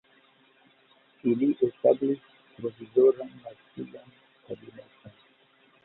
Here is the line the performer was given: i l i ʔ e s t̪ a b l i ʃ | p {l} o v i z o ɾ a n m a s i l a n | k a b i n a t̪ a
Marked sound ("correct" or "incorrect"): incorrect